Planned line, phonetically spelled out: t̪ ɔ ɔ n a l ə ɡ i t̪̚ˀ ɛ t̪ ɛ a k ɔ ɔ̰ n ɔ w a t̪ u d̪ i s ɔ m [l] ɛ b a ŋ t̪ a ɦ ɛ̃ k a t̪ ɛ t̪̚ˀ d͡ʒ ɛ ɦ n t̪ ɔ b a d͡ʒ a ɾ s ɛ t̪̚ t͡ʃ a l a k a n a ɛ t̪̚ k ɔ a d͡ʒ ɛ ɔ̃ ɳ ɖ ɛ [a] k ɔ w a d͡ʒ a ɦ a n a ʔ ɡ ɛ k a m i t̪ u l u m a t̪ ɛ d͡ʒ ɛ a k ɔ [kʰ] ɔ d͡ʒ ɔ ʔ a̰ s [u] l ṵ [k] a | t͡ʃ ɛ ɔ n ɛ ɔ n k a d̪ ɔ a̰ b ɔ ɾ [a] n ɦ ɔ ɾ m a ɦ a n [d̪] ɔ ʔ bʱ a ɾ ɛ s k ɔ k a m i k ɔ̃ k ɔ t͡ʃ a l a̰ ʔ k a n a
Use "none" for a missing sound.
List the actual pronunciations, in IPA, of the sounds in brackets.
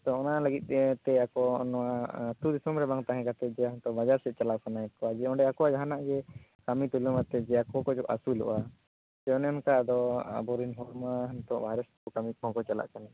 ɾ, a, k, u, ʔ, i, t̪

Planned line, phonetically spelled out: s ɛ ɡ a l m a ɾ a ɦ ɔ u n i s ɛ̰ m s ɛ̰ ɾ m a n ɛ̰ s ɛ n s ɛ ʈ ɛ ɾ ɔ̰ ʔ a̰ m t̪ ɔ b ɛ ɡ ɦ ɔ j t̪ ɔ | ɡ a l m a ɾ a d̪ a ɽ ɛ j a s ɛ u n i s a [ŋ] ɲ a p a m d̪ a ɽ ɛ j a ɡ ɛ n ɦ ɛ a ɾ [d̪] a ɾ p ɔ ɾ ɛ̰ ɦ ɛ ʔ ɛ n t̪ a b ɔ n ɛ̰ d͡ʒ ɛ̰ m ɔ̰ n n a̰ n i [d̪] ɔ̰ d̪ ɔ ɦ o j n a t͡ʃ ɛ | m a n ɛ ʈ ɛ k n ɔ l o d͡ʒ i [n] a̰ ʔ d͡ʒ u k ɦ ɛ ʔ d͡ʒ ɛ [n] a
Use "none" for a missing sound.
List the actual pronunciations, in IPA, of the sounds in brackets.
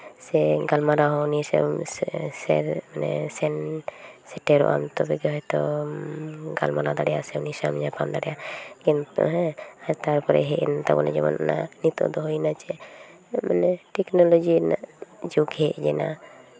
m, t̪, t̪, n, n

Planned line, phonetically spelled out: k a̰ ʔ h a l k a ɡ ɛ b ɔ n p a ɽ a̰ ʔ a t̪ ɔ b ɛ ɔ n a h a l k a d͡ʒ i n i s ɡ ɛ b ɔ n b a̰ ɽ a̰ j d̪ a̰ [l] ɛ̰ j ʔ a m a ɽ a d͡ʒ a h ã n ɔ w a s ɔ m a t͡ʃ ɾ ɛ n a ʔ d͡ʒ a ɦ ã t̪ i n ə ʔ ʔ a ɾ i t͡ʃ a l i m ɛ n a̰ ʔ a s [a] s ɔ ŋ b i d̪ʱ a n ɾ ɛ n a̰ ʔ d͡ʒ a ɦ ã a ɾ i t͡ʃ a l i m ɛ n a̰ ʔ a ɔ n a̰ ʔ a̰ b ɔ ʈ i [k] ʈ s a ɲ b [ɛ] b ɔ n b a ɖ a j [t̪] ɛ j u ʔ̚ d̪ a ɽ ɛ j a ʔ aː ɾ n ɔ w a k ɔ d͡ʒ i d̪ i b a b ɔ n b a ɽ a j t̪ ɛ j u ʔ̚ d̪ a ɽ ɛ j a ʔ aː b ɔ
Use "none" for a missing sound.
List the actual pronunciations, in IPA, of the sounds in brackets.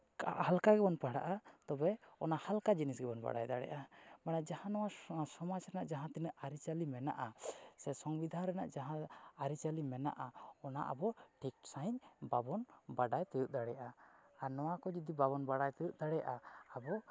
ɽ, ɛ, k, a, t̪

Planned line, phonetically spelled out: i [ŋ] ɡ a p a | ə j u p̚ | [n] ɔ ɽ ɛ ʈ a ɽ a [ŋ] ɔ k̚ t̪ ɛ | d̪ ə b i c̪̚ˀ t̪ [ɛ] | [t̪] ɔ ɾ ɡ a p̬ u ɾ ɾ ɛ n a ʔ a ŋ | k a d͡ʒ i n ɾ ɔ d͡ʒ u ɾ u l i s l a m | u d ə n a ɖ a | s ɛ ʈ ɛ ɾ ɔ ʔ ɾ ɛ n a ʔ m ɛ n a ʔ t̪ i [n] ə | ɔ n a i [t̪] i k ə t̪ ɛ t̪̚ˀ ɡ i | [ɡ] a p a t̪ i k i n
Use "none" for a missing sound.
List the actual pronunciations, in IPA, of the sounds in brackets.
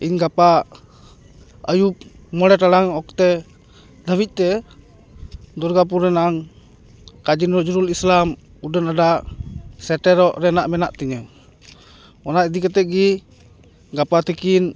ɲ, m, ŋ, ɛ, d̪, ɲ, d̪, ɡ

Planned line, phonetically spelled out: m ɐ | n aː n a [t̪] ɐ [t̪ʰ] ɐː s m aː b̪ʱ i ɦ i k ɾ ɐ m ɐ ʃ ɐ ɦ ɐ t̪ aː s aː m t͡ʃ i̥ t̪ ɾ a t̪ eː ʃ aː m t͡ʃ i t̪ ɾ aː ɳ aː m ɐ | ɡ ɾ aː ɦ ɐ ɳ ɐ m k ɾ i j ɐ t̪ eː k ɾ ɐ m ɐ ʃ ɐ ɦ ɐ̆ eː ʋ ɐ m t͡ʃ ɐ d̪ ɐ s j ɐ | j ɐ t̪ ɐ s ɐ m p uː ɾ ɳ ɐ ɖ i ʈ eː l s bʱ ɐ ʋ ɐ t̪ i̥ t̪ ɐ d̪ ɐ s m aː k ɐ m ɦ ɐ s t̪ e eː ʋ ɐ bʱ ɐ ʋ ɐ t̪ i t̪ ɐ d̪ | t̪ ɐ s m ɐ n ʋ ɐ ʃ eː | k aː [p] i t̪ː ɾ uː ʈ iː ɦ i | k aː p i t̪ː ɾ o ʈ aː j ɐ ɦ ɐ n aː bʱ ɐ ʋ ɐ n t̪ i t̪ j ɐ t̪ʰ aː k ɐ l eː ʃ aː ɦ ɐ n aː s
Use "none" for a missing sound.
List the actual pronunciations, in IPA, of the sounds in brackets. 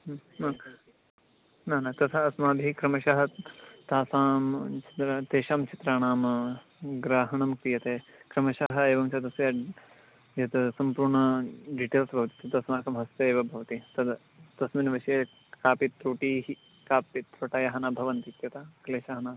t̪, t̪ʰ, p

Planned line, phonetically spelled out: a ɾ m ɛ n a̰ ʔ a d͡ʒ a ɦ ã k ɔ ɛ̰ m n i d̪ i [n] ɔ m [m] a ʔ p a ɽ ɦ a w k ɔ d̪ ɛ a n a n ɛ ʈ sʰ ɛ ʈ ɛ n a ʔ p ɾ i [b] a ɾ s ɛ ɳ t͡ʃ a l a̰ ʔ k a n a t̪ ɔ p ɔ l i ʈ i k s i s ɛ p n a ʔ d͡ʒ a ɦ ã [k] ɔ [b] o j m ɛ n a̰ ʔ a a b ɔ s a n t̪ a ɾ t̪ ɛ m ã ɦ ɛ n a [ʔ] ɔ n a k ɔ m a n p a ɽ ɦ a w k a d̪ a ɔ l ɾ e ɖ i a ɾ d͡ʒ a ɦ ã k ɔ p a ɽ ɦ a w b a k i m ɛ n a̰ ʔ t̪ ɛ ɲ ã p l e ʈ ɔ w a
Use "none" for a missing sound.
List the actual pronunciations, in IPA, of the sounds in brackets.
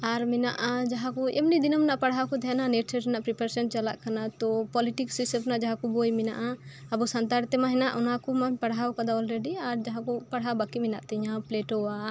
n, n, p, k, b, ʔ

